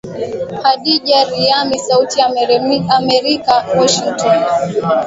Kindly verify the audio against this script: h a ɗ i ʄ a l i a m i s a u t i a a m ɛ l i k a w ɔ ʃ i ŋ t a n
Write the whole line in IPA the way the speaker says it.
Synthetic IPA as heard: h a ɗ i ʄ a ɾ i a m i s a u t i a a m ɛ ɾ i k a w ɔ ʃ i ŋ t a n